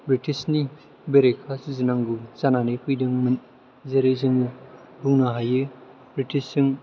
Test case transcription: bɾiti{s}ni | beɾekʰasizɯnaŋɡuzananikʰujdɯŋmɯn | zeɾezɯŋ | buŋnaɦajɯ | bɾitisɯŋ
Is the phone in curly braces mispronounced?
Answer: no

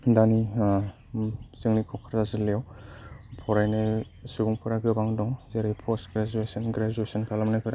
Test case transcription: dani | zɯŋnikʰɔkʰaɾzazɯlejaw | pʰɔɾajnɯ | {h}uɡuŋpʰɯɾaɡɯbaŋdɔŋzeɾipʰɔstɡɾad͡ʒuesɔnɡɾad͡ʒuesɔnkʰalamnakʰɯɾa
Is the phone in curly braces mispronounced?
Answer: yes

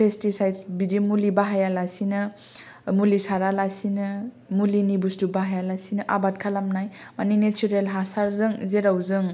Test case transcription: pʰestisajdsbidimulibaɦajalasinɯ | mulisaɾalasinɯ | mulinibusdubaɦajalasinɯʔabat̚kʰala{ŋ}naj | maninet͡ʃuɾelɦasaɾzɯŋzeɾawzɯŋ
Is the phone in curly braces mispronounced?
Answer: yes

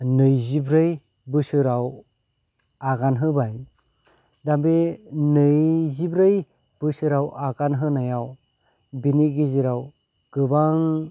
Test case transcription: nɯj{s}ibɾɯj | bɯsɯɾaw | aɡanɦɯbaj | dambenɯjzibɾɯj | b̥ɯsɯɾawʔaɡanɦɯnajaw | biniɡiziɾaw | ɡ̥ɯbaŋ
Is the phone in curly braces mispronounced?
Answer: yes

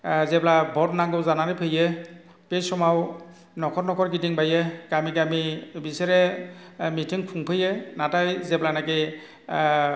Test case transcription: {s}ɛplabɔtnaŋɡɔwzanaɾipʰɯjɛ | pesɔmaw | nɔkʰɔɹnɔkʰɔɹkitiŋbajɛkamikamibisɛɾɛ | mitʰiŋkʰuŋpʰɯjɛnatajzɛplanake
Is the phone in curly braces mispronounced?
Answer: yes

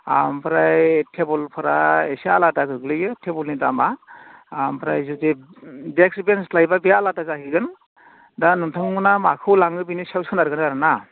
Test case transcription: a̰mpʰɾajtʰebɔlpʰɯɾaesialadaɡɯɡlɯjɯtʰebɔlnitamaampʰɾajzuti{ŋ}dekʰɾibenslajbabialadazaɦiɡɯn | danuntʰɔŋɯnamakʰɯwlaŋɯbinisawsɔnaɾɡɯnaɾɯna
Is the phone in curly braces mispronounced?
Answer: yes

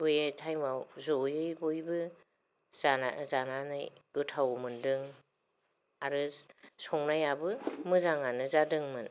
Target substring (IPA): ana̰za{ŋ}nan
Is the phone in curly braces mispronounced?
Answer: yes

